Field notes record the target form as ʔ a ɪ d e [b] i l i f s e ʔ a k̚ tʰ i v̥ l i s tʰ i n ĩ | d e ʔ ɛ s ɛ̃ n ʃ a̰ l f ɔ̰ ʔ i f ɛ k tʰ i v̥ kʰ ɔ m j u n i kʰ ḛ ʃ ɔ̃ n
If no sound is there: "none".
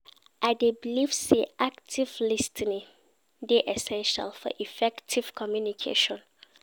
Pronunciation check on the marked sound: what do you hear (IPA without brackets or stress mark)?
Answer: b